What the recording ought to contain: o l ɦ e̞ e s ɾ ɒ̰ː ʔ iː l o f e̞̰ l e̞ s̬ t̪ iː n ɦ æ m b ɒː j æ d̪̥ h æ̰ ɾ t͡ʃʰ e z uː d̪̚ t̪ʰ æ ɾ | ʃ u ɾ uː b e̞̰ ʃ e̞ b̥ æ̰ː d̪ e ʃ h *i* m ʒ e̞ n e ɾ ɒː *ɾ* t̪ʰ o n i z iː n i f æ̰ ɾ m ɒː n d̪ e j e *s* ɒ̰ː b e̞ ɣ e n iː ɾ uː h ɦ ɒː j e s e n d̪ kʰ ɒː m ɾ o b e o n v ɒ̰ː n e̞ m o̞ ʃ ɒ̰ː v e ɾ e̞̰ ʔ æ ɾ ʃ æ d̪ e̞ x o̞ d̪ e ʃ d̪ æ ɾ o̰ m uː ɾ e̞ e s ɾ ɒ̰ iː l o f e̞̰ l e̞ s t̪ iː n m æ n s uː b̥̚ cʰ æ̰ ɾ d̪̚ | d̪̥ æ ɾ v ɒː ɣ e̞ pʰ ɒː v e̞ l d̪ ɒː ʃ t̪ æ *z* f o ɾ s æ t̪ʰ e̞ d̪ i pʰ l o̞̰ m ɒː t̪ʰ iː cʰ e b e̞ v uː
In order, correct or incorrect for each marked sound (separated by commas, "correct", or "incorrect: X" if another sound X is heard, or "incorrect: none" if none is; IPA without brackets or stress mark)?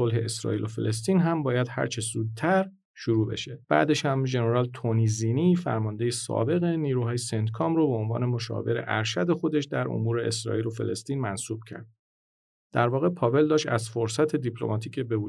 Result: incorrect: æ, incorrect: l, correct, correct